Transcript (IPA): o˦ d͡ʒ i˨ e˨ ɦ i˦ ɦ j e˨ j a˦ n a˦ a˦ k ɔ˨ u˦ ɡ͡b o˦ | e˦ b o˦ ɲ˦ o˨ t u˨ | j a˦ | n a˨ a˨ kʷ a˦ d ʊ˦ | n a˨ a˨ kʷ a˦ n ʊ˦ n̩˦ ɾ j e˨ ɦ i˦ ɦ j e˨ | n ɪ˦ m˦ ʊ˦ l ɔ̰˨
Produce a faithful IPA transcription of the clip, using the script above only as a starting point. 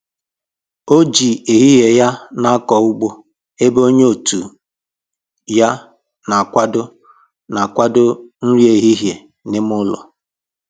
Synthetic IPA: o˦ d͡ʒ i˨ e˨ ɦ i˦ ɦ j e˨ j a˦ n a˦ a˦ k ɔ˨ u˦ ɡ͡b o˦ | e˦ b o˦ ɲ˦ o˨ t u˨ | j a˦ | n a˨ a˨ kʷ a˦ d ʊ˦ | n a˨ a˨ kʷ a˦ d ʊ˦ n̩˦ ɾ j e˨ ɦ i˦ ɦ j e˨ | n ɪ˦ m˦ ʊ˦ l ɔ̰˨